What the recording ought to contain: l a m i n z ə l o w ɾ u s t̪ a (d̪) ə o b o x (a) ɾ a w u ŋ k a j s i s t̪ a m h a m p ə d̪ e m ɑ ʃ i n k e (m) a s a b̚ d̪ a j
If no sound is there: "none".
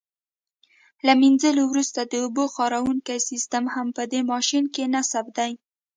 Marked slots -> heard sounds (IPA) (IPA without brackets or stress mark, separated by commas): d̪, ɑ, n